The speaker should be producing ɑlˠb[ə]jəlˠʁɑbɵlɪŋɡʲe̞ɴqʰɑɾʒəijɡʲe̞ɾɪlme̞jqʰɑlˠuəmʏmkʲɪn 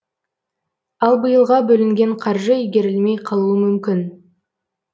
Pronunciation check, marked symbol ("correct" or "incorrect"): correct